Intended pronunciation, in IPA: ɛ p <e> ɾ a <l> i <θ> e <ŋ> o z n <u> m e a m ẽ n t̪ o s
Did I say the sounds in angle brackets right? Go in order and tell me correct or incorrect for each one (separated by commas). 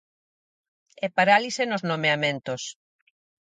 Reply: incorrect, correct, incorrect, incorrect, incorrect